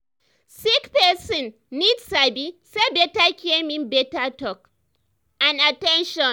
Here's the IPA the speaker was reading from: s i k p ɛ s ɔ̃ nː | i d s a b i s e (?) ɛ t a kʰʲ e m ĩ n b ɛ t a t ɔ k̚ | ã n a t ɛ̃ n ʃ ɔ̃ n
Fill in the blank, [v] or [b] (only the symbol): b